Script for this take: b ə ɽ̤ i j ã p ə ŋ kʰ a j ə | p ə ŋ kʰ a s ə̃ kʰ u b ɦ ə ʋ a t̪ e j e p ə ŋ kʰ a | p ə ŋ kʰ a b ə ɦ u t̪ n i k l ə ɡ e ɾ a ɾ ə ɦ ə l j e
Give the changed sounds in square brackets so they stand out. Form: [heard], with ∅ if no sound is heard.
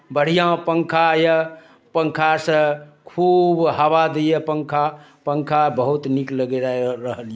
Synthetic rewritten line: b ə ɽ̤ i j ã p ə ŋ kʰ a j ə | p ə ŋ kʰ a s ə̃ kʰ u b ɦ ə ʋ a [d̪] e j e p ə ŋ kʰ a | p ə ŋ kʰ a b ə ɦ u t̪ n i k l ə ɡ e ɾ a ɾ ə ɦ ə l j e